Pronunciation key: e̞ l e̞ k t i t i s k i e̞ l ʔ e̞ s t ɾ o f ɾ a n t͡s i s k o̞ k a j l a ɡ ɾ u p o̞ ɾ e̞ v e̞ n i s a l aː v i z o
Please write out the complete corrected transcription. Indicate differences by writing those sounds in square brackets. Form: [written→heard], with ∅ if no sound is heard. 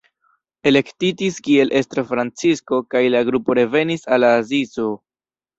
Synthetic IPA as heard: e̞ l e̞ k t i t i s k i e̞ l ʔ e̞ s t ɾ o f ɾ a n t͡s i s k o̞ k a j l a ɡ ɾ u p o̞ ɾ e̞ v e̞ n i s a l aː [v→z] i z o